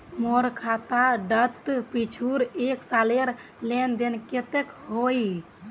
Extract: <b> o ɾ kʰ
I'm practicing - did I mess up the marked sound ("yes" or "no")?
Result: yes